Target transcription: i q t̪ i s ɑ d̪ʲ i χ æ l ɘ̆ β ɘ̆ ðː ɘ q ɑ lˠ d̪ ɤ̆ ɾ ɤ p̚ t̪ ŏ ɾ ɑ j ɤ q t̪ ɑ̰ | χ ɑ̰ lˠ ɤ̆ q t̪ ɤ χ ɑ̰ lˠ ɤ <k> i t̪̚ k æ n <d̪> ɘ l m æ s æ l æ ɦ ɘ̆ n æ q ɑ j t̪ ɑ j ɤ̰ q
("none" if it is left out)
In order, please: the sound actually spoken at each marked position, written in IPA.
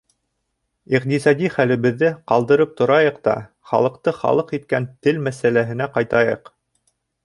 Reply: q, t̪

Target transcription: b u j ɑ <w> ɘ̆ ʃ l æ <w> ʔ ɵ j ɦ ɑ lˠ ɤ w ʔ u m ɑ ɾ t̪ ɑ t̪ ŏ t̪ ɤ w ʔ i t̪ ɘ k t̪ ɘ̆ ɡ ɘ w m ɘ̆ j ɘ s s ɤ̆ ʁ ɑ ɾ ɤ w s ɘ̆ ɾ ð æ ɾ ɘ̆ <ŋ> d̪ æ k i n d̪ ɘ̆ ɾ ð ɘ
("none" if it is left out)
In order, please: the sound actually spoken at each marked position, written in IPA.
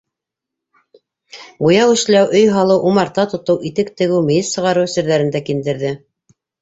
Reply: w, w, n

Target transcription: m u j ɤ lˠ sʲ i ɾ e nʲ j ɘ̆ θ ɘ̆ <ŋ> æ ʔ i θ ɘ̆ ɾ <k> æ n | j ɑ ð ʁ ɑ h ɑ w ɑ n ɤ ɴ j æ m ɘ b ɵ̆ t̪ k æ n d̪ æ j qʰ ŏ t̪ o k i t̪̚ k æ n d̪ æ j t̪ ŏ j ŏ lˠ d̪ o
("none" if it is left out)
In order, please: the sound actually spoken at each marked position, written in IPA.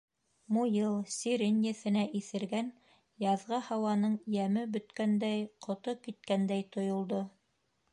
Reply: n, ɡ

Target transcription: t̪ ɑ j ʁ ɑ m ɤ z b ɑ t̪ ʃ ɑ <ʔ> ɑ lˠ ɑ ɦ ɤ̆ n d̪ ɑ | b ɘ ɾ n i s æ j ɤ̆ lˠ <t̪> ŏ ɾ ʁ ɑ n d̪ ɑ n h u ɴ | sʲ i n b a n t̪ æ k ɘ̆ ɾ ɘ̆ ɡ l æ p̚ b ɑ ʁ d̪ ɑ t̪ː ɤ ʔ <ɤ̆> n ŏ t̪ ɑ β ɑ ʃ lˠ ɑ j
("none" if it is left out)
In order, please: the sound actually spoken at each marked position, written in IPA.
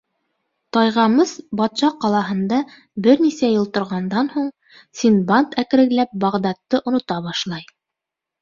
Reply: q, t̪, ŏ

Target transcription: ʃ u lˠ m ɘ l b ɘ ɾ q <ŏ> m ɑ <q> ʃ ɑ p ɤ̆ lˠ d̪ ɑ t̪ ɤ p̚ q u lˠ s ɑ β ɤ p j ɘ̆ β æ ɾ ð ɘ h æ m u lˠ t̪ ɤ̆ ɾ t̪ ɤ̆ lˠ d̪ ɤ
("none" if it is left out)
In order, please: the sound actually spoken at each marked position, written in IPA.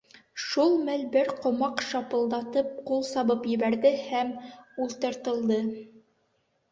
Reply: ŏ, q

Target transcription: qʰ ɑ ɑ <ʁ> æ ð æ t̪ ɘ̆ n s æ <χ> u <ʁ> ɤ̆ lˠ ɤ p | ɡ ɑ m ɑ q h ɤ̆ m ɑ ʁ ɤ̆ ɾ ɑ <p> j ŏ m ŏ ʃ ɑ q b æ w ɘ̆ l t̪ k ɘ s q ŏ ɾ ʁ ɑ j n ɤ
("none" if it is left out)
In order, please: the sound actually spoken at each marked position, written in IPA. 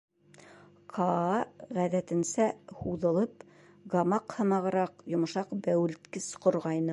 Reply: ʁ, h, ð, q

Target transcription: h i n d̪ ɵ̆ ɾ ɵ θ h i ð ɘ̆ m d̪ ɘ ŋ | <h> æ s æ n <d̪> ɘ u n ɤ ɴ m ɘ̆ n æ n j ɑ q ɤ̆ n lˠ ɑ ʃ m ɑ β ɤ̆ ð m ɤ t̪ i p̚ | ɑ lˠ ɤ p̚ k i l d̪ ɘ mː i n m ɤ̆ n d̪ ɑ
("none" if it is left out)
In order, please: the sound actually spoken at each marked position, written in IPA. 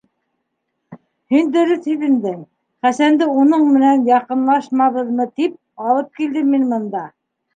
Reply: χ, d̪

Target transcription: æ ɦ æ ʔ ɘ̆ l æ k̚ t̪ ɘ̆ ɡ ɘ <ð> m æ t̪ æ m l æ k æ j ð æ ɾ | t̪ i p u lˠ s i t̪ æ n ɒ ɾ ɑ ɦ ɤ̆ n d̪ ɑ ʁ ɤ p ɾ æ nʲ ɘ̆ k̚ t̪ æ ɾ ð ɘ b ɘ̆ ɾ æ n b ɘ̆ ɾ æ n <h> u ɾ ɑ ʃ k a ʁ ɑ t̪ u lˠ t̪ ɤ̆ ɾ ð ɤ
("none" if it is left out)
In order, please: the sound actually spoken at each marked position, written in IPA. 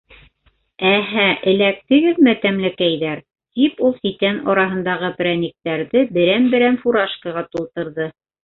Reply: ð, f

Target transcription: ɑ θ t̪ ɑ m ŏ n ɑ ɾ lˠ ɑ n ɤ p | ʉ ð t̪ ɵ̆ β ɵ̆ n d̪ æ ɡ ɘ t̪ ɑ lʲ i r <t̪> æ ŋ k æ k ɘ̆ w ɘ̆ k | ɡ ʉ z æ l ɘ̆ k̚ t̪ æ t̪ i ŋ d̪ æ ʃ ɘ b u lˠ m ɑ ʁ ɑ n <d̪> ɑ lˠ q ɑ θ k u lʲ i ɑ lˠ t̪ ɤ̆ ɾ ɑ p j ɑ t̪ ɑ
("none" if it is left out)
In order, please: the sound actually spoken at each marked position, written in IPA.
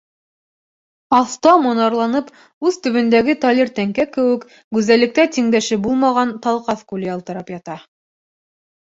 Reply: t̪, t̪

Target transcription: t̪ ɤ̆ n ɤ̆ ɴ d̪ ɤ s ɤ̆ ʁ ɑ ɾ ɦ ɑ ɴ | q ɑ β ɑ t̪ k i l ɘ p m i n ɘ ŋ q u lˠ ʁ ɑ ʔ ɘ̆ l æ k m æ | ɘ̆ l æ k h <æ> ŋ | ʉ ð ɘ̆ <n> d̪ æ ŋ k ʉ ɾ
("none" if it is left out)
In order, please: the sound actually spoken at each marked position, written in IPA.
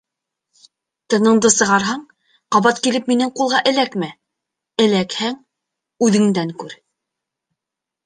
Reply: æ, ŋ

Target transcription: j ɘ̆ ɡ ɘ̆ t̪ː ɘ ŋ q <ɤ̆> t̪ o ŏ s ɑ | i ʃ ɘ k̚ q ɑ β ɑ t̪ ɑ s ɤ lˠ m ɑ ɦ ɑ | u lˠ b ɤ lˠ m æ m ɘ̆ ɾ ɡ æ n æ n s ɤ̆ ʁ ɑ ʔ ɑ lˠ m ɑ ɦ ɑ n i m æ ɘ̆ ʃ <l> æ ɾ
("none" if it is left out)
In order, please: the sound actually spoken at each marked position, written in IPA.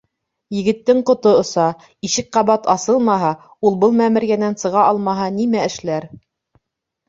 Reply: ŏ, l

